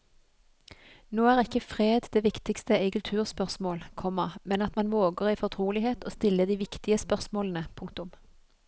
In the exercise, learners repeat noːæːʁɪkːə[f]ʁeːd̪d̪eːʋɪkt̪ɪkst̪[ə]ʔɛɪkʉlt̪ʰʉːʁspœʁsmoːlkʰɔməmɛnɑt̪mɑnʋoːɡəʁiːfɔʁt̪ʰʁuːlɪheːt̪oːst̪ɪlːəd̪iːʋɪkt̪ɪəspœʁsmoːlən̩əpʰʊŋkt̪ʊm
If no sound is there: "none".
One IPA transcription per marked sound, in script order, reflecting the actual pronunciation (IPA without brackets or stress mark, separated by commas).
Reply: f, ə